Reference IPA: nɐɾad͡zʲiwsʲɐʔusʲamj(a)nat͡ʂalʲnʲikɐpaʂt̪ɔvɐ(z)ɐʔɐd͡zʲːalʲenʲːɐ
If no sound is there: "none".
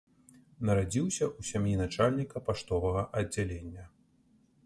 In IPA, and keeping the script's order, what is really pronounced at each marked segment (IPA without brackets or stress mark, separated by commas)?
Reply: i, ɣ